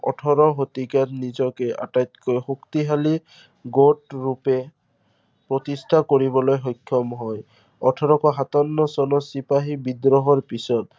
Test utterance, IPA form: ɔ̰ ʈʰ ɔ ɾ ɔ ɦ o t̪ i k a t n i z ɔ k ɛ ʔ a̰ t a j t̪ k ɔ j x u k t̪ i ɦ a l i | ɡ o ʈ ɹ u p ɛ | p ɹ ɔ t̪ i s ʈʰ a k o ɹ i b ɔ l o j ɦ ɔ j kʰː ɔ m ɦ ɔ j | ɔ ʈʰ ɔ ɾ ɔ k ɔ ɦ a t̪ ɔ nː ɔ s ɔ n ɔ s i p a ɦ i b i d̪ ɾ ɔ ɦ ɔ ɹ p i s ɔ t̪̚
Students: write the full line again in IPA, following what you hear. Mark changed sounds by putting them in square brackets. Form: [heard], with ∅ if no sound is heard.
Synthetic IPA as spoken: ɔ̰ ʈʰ ɔ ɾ ɔ ɦ o t̪ i k a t n i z ɔ k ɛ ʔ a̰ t a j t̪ k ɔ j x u k t̪ i ɦ a l i | ɡ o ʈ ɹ u p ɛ | p ɹ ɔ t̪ i s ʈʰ a k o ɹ i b ɔ l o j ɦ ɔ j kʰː ɔ m ɦ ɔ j | ɔ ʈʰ ɔ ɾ ɔ k ɔ ɦ a t̪ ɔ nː ɔ s ɔ n ɔ s i p a ɦ i b i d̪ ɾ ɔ ɦ ɔ ɹ p i s ɔ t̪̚